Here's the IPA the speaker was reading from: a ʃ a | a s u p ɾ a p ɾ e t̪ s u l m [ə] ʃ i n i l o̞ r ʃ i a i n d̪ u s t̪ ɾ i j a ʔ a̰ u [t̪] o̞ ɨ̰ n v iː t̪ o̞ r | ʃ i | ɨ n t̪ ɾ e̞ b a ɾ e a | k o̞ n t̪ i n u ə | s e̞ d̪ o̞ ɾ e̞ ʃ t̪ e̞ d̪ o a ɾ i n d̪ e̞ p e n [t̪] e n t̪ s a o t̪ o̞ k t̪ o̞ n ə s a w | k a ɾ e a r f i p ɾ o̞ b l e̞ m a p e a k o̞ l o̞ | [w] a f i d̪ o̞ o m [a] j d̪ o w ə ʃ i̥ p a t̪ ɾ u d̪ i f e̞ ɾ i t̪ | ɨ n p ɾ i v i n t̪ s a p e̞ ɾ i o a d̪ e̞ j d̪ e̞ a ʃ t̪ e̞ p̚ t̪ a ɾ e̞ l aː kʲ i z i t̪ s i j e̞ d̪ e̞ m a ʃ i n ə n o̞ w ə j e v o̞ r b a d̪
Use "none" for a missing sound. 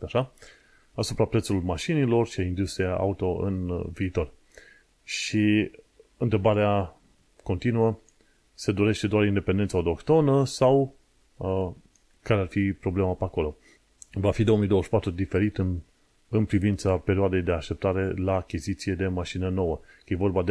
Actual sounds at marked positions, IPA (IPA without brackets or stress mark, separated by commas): a, t̪, d̪, v, i